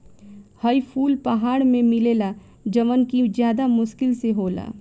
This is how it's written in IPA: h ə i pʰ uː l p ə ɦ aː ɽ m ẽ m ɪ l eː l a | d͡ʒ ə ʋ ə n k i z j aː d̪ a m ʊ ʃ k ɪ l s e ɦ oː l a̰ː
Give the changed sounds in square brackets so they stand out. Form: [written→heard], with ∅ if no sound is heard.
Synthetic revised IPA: h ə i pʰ uː l p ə ɦ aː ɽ m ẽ m ɪ l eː l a | d͡ʒ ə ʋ ə n k i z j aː d̪ a m ʊ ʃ k ɪ l s e ɦ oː l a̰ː